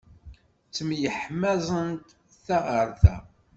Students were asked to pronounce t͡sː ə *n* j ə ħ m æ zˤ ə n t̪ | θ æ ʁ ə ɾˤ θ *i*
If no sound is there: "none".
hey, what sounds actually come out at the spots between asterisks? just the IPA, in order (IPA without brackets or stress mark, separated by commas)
m, æ